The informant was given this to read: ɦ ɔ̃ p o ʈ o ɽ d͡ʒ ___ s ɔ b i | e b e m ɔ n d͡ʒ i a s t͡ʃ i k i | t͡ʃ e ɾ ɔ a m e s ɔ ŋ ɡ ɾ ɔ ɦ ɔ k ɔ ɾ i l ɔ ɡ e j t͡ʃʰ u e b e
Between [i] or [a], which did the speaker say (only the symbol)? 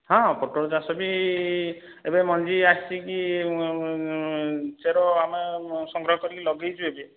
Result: a